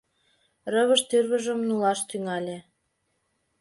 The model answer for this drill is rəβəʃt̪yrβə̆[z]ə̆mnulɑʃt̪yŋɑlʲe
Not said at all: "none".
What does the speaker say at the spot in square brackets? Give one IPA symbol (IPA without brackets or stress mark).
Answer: ʒ